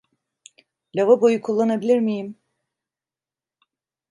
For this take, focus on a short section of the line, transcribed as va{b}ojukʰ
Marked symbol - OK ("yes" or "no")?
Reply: yes